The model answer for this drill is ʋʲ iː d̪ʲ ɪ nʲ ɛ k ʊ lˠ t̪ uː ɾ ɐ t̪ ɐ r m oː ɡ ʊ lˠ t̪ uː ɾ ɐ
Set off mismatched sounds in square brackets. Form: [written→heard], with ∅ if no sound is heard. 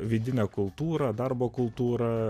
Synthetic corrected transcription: ʋʲ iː d̪ʲ ɪ nʲ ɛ k ʊ lˠ t̪ uː ɾ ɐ [t̪→d̪] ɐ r [m→b] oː [ɡ→k] ʊ lˠ t̪ uː ɾ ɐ